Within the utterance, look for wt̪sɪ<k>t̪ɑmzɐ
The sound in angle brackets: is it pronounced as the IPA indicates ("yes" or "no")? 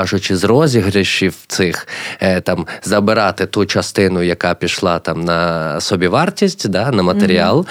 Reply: no